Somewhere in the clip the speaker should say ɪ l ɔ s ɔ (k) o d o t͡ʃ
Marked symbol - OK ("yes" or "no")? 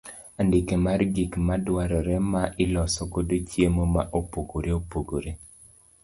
yes